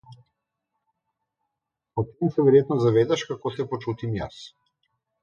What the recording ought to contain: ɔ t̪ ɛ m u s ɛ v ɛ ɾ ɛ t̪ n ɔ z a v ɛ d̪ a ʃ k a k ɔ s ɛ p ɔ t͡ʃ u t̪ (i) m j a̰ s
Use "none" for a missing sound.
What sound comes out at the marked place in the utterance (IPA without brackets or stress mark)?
i